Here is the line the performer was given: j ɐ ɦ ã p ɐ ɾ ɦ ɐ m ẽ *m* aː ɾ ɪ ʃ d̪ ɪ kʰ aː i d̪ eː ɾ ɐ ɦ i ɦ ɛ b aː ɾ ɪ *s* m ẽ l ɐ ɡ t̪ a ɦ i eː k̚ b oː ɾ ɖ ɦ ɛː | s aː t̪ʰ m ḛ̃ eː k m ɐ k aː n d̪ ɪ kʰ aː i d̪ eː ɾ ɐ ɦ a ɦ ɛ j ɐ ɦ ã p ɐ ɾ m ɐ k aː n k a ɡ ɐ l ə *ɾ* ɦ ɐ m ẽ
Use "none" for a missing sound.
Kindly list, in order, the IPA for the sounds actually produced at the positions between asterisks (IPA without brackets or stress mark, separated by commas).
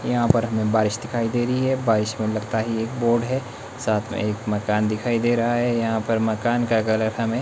b, ʃ, ɾ